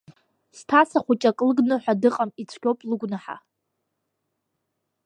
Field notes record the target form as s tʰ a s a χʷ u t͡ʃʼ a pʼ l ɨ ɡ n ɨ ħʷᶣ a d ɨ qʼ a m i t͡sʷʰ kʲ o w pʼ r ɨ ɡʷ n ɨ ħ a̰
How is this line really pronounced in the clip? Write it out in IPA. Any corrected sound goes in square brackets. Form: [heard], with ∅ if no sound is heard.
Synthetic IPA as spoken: s tʰ a s a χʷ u t͡ʃʼ a [kʼ] l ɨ ɡ n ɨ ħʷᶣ a d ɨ qʼ a m i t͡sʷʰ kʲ o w pʼ [l] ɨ ɡʷ n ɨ ħ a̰